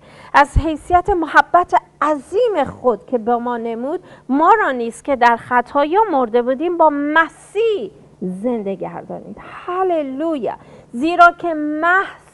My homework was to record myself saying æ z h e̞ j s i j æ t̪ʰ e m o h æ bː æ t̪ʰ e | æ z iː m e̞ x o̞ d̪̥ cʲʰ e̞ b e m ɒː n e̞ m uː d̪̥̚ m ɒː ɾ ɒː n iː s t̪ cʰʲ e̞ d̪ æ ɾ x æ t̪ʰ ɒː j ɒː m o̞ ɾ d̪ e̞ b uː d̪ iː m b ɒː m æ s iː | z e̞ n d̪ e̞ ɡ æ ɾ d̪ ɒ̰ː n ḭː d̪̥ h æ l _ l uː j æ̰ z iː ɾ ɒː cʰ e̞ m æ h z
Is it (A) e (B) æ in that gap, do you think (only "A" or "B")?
A